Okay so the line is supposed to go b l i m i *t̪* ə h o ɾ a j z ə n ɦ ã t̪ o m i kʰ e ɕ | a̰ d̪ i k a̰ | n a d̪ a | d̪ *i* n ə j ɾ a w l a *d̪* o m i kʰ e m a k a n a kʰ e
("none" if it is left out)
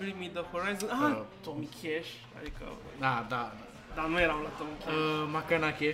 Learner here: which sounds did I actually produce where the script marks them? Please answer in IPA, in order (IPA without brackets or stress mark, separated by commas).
d̪, a, t̪